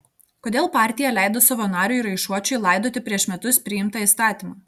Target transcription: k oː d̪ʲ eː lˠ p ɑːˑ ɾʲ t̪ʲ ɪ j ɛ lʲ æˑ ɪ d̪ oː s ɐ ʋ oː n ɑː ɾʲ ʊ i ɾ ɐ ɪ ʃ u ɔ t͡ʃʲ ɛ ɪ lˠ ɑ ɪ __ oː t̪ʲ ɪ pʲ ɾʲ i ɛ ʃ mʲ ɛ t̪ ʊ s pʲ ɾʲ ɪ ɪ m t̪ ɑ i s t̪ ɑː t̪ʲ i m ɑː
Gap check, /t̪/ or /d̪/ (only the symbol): d̪